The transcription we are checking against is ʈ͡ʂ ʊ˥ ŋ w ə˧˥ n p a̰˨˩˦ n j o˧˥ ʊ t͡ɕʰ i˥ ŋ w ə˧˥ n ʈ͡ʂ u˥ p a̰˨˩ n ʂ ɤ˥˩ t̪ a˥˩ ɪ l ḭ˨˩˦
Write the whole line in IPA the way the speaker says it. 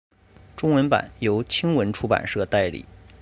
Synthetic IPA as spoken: ʈ͡ʂ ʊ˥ ŋ w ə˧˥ n p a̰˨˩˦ n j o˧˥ ʊ t͡ɕʰ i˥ ŋ w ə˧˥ n ʈ͡ʂʰ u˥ p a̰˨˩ n ʂ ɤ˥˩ t̪ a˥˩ ɪ l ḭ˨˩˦